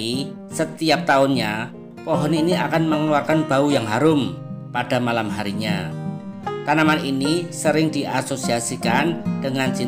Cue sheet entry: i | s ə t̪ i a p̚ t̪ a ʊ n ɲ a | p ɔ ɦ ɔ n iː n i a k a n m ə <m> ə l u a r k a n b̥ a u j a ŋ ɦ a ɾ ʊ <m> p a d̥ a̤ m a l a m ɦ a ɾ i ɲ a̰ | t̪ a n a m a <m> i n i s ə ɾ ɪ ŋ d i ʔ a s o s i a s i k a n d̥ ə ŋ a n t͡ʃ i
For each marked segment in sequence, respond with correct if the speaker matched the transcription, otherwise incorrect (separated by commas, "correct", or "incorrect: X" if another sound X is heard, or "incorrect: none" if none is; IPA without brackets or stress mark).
incorrect: ŋ, correct, incorrect: n